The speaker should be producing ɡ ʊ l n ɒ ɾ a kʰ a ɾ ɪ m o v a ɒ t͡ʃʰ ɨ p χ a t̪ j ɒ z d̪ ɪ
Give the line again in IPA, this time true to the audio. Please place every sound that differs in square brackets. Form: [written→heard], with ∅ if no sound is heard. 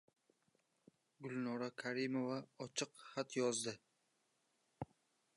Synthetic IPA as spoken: ɡ ʊ l n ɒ ɾ a kʰ a ɾ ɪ m o v a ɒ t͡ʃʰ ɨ [p→q] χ a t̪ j ɒ z d̪ ɪ